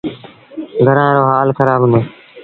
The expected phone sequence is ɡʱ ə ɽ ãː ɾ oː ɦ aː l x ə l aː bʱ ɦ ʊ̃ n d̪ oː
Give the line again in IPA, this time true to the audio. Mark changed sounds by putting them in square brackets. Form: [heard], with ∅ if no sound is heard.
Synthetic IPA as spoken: ɡʱ ə [ɾ] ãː ɾ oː ɦ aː l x ə [ɾ] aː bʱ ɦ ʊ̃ n d̪ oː